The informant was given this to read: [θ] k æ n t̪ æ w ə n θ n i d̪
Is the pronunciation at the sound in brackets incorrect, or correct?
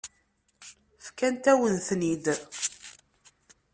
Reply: incorrect